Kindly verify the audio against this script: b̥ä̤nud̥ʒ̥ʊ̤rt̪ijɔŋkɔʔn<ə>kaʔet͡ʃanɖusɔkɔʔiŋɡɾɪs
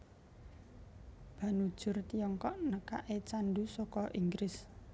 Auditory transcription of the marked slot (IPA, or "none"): ə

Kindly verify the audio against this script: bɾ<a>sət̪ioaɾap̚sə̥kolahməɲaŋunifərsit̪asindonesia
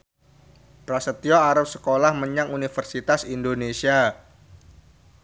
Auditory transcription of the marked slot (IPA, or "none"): a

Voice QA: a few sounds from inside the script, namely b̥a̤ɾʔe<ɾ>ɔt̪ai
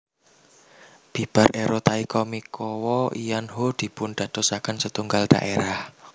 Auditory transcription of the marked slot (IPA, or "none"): ɾ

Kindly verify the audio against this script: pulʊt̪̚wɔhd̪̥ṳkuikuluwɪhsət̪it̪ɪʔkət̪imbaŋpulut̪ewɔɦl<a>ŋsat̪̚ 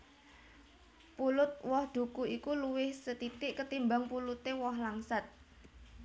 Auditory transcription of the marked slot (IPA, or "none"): a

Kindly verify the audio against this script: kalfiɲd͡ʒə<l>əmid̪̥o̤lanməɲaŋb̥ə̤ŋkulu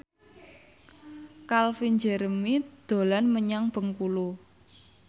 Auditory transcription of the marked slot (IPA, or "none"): ɾ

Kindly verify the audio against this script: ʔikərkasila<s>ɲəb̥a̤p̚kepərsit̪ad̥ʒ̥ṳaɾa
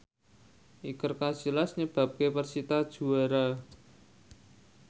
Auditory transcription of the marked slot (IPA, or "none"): s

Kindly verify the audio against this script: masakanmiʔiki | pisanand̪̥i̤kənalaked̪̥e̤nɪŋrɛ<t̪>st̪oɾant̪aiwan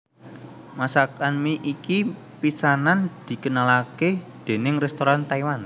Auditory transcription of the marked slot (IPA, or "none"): none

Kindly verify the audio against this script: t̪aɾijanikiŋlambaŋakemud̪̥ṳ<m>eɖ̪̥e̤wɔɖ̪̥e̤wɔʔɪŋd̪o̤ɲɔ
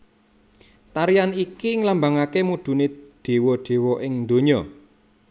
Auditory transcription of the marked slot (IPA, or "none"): n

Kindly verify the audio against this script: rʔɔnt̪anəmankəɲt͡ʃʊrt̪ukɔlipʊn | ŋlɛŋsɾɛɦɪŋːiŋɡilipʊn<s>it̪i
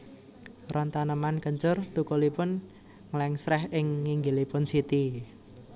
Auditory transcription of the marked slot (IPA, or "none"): s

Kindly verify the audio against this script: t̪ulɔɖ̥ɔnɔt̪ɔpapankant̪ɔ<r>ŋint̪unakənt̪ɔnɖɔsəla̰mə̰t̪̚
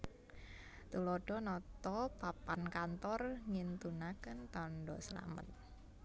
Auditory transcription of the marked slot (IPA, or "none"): r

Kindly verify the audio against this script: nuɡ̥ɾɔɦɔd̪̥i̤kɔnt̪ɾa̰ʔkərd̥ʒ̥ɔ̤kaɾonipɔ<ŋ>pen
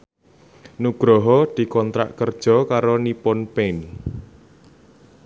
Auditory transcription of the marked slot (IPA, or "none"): n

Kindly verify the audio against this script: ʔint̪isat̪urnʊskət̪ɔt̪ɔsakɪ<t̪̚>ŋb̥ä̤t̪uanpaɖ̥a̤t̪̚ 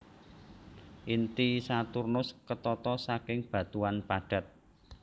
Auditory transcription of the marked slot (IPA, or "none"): none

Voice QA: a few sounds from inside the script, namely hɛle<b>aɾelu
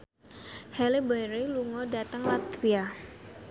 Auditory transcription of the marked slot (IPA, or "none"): b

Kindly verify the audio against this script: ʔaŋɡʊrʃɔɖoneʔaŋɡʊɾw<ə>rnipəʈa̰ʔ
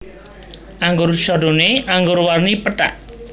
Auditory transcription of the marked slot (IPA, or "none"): a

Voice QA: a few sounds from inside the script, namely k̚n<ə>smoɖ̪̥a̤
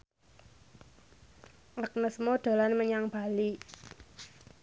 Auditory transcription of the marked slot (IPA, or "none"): ə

